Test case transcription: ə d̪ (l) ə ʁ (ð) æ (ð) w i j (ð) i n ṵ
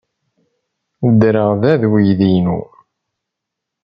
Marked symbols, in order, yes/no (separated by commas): no, yes, yes, yes